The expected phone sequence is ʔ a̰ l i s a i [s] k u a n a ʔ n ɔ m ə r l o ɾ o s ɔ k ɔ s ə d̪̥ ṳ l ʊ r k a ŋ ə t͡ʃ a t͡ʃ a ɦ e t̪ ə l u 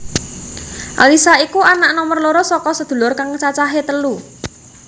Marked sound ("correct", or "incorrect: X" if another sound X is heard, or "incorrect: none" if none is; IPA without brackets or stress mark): incorrect: none